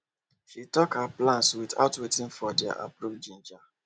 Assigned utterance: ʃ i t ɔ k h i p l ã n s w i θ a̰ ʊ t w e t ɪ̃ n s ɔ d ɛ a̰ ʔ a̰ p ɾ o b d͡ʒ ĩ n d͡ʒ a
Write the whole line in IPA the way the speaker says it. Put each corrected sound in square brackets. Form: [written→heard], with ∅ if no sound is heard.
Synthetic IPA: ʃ i t ɔ k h [i→a] p l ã n s w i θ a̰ ʊ t w e t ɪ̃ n [s→f] ɔ d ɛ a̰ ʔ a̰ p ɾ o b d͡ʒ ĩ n d͡ʒ a